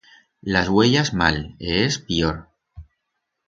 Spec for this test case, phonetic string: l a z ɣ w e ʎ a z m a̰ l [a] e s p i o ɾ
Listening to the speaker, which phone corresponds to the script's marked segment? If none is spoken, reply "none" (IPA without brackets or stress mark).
e